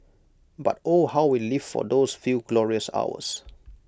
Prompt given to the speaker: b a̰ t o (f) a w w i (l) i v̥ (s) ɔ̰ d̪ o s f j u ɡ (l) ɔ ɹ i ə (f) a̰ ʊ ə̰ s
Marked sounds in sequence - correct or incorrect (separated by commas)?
incorrect, correct, incorrect, correct, incorrect